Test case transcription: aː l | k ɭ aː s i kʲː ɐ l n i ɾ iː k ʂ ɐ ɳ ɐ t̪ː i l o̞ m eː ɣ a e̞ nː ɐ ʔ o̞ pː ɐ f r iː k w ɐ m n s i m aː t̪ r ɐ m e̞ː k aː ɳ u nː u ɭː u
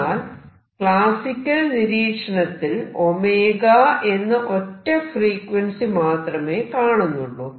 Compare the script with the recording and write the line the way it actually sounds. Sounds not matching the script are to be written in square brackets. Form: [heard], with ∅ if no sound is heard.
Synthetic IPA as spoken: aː l | k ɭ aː s i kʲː ɐ l n i ɾ iː k ʂ ɐ ɳ ɐ t̪ː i l o̞ m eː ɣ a e̞ nː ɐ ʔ o̞ [tː] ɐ f r iː k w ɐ [∅] n s i m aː t̪ r ɐ m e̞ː k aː ɳ u nː u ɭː u